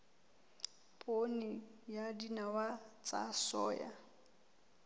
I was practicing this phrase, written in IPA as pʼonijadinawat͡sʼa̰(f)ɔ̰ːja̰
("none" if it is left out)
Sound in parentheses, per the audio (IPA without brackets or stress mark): s